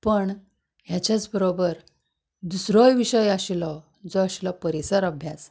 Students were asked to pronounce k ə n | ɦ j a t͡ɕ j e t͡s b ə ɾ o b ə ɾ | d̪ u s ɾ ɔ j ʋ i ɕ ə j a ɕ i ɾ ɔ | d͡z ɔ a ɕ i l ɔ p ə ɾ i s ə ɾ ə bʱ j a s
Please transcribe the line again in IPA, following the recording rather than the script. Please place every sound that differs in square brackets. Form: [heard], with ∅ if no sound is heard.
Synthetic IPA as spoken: [p] ə [ɳ] | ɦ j a t͡ɕ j [a] t͡s b ə ɾ o b ə ɾ | d̪ u s ɾ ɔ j ʋ i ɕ ə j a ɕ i [l] ɔ | d͡z ɔ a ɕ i l ɔ p ə ɾ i s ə ɾ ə bʱ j a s